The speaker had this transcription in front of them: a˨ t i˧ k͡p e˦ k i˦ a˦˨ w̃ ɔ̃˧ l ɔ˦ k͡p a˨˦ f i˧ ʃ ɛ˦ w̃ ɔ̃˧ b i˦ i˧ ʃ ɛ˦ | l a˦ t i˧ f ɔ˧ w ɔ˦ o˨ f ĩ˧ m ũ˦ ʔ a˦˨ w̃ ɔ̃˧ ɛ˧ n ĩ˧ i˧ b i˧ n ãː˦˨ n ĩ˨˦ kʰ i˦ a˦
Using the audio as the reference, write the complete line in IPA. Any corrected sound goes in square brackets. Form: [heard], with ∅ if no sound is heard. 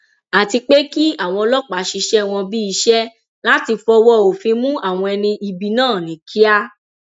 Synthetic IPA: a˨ t i˧ k͡p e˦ k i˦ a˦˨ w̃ ɔ̃˧ l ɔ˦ k͡p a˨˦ [ʃ] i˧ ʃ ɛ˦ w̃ ɔ̃˧ b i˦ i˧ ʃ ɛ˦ | l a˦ t i˧ f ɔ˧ w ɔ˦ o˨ f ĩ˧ m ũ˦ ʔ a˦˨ w̃ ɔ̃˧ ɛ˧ n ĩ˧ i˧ b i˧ n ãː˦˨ n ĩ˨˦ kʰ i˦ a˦